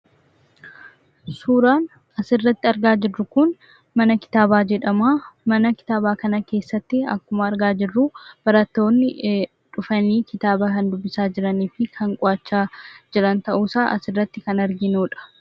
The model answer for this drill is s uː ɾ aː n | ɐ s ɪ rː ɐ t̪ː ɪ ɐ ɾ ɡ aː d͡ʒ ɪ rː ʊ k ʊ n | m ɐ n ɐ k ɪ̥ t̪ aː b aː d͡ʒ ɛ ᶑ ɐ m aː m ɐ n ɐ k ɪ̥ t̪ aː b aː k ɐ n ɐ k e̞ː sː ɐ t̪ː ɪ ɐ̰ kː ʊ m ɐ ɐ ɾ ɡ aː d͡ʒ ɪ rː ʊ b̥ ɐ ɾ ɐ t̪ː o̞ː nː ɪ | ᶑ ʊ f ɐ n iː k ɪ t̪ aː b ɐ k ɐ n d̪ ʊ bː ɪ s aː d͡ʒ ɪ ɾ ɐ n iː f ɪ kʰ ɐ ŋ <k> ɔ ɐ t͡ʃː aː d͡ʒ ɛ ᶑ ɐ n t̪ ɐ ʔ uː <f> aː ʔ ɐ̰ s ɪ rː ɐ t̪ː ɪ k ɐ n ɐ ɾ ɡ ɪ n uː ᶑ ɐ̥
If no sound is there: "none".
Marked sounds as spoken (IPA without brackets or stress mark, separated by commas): kʼ, s